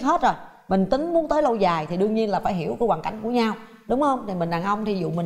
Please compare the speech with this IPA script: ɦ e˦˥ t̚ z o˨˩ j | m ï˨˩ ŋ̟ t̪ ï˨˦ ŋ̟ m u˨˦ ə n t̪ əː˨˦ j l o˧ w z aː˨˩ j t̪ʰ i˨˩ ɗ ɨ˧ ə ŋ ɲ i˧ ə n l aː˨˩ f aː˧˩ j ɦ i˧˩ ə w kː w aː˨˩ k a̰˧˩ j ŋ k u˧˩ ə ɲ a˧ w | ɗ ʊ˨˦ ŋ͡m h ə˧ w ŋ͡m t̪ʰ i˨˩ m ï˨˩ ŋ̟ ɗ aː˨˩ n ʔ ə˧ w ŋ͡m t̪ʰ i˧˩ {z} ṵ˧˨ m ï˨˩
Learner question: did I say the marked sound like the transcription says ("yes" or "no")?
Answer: yes